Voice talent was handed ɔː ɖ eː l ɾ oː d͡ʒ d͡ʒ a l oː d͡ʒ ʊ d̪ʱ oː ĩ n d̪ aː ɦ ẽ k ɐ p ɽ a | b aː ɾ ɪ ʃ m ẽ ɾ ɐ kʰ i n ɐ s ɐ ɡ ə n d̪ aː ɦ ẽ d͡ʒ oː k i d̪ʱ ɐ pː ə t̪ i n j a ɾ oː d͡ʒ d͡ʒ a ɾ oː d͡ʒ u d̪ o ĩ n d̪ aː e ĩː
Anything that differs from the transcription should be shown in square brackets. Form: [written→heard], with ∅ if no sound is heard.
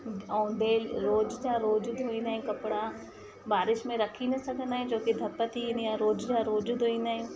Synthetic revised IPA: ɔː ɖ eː l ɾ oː d͡ʒ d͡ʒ a [l→ɾ] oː d͡ʒ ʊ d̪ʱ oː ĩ n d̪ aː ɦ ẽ k ɐ p ɽ a | b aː ɾ ɪ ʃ m ẽ ɾ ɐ kʰ i n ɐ s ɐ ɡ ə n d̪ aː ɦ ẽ d͡ʒ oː k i d̪ʱ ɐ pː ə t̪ i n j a ɾ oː d͡ʒ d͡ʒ a ɾ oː d͡ʒ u d̪ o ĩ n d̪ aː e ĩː